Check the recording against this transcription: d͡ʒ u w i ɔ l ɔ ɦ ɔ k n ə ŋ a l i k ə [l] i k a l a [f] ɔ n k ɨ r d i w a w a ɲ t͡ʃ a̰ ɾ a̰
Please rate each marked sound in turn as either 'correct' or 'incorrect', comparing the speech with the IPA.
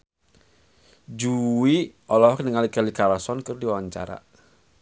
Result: correct, incorrect: s

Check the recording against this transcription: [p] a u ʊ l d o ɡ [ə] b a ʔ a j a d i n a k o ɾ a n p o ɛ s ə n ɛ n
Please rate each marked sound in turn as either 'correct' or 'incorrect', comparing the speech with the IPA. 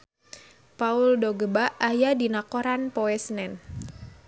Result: correct, correct

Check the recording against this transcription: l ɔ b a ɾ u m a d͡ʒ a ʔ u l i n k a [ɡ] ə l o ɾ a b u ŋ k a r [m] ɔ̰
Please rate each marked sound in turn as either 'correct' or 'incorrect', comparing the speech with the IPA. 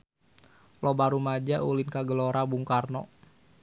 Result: correct, incorrect: n

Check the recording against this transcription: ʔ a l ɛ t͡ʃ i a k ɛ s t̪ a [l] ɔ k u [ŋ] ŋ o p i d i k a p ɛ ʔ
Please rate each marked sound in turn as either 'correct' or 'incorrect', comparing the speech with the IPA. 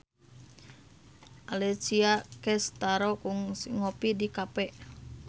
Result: incorrect: ɾ, correct

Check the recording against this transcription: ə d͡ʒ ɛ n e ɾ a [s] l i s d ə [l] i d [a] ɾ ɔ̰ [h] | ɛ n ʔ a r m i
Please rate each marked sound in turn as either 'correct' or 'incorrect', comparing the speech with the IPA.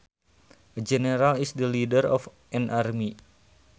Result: incorrect: none, correct, incorrect: ə, incorrect: f

